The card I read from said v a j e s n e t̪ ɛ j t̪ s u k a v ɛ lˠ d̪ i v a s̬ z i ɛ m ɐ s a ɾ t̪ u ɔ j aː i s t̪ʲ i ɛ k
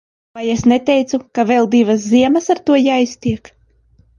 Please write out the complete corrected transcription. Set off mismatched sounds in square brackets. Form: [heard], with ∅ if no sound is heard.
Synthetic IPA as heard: v a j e s n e t̪ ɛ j t̪ s u k a v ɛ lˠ d̪ i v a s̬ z i ɛ m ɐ s a ɾ t̪ u ɔ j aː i s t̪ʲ i ɛ k